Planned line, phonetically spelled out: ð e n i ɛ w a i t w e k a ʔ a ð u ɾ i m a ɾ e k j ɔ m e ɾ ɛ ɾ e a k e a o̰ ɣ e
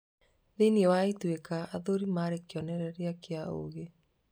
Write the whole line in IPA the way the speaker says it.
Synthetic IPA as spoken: ð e n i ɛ w a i t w e k a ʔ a ð o ɾ i m a ɾ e k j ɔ n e ɾ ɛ ɾ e a k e a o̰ ɣ e